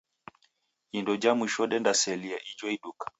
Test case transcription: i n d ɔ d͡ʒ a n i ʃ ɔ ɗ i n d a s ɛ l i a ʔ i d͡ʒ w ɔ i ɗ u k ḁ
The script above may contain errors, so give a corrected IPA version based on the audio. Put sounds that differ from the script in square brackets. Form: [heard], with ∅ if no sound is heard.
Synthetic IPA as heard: i n d ɔ d͡ʒ a [m] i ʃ ɔ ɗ [ɛ] n d a s ɛ l i a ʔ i d͡ʒ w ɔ i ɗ u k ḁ